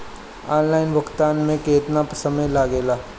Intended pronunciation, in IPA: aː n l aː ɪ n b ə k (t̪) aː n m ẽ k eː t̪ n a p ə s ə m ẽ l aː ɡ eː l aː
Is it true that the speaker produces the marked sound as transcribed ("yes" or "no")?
yes